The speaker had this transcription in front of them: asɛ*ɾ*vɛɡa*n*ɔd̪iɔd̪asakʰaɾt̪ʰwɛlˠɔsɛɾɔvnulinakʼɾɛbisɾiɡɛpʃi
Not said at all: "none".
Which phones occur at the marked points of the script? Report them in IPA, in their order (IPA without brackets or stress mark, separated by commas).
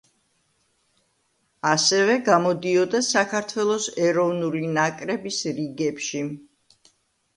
none, m